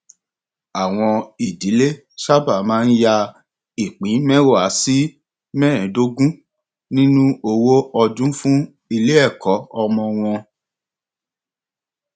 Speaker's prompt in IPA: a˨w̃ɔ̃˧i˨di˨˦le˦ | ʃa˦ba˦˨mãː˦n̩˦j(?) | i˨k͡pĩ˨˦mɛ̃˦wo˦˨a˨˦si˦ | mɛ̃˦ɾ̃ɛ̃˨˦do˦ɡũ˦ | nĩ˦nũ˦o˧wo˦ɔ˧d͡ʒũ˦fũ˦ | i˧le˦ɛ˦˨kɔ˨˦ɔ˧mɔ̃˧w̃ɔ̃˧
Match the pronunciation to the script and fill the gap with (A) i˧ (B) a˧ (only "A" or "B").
B